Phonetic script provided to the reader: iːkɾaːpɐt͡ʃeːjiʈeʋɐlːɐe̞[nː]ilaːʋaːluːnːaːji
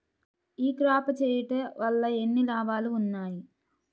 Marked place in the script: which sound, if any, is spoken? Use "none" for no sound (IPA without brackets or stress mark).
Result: nː